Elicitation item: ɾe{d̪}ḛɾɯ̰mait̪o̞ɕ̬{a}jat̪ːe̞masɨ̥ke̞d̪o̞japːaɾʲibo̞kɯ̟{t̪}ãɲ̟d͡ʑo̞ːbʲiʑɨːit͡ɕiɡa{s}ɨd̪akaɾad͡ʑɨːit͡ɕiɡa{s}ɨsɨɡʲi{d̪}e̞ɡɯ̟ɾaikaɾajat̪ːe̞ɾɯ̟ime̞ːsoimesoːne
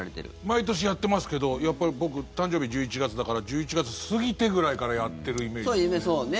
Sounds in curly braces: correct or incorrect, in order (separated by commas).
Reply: incorrect, incorrect, correct, incorrect, incorrect, incorrect